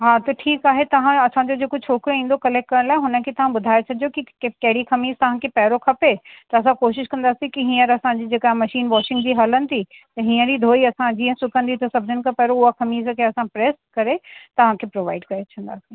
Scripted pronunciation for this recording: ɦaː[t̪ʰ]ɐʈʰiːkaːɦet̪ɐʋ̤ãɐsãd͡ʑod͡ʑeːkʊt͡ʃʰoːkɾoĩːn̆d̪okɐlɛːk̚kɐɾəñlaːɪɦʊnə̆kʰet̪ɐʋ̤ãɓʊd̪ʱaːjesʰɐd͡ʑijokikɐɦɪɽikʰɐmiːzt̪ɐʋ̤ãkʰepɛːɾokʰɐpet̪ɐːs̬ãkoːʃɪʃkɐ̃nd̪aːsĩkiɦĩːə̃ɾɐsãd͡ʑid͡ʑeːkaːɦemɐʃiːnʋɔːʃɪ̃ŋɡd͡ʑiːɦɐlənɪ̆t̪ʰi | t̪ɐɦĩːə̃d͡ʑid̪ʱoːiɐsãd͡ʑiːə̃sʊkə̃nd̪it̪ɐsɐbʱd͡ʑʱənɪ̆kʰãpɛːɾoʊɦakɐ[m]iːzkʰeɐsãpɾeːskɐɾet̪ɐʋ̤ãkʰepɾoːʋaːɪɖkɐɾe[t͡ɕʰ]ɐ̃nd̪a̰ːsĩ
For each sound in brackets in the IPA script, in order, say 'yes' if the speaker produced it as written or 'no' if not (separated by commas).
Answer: no, yes, yes